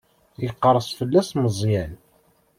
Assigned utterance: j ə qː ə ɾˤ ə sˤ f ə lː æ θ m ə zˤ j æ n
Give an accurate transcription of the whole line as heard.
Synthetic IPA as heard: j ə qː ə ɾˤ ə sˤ f ə lː æ s m ə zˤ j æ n